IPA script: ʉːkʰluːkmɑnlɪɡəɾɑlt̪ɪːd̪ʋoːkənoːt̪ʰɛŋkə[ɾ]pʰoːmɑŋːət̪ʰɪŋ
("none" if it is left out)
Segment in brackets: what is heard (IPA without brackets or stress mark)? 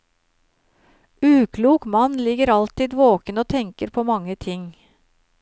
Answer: ɾ